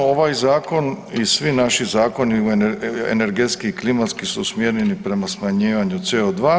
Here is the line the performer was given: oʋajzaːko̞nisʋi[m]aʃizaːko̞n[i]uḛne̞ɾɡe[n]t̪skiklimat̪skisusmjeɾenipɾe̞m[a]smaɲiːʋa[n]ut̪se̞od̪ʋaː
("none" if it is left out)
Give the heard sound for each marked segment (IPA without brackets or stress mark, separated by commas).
n, i, none, a, ɲ